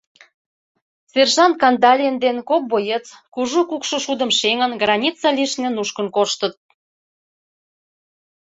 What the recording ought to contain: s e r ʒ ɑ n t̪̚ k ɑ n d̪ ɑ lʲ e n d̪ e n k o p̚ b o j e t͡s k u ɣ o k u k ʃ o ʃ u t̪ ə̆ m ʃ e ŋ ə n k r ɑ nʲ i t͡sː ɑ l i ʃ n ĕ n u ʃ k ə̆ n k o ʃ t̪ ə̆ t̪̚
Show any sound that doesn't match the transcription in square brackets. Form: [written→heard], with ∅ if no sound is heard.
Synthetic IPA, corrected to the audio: s e r ʒ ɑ n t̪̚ k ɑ n d̪ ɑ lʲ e n d̪ e n k o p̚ b o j e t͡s k u [ɣ→ʒ] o k u k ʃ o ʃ u [t̪→d̪] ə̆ m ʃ e ŋ ə n [k→ɡ] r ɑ nʲ i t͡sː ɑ l i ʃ n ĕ n u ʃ k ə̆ n k o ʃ t̪ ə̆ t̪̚